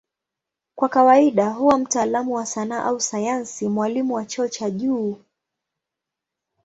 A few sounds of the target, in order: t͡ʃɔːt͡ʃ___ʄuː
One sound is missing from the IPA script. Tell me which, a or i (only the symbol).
a